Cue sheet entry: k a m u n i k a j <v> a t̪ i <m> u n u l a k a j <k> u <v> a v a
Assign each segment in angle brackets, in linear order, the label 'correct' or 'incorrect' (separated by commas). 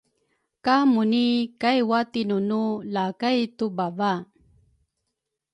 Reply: incorrect, incorrect, incorrect, incorrect